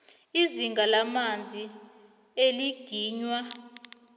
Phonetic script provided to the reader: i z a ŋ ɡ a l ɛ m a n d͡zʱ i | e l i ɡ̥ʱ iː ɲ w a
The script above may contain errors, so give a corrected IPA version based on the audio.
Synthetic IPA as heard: i z i ŋ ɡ a l a m a n d͡zʱ i | e l i ɡ̥ʱ iː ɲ w a

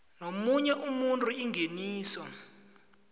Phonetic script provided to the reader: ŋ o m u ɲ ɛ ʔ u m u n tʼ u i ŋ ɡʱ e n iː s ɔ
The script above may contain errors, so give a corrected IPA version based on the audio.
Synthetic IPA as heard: n o m u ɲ ɛ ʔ u m u n tʼ u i ŋ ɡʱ e n iː s ɔ

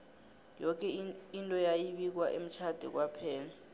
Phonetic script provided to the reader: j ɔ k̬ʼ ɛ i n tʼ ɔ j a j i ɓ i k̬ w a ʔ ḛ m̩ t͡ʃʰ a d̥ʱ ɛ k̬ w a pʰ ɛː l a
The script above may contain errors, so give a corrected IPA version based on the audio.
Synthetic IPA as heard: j ɔ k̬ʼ ɛ i n tʼ ɔ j a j i ɓ i k̬ w a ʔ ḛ m̩ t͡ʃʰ a d̥ʱ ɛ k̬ w a pʰ ɛː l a

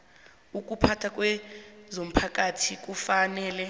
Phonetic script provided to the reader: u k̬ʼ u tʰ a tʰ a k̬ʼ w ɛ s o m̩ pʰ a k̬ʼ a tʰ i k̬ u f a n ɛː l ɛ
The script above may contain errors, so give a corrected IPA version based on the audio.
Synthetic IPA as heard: u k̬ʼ u pʰ a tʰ a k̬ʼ w ɛ z o m̩ pʰ a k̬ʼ a tʰ i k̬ u f a n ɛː l ɛ

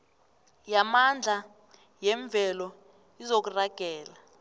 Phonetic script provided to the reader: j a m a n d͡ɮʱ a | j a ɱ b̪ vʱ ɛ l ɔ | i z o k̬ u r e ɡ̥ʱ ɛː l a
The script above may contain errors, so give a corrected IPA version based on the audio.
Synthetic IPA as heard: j a m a n d͡ɮʱ a | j ɛ ɱ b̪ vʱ ɛ l ɔ | i z o k̬ u r a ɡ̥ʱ ɛː l a

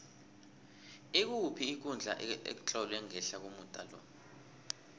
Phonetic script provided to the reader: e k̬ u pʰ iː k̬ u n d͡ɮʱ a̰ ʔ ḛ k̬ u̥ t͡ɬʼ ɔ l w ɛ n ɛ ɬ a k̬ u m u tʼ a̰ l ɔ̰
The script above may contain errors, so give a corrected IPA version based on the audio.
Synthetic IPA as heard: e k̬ u pʰ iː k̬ u n d͡ɮʱ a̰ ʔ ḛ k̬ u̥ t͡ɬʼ ɔ l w ɛ ŋ ɛ ɬ a k̬ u m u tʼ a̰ l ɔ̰

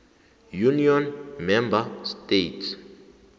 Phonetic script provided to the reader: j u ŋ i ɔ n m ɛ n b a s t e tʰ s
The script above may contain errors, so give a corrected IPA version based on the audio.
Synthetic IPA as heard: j u n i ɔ n m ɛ m b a s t e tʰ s

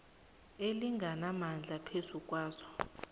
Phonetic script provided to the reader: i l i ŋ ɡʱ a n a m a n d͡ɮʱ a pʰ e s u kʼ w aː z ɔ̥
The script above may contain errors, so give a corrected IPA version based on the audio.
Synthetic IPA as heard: e l i ŋ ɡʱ a n a m a n d͡ɮʱ a pʰ e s u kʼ w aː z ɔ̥

